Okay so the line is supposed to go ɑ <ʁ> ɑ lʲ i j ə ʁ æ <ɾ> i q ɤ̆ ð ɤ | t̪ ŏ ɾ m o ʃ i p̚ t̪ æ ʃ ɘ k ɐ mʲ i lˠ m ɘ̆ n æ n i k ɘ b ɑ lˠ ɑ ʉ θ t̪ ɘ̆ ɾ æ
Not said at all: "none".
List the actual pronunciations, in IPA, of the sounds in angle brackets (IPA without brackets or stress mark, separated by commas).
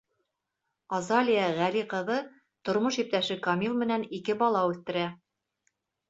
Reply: z, l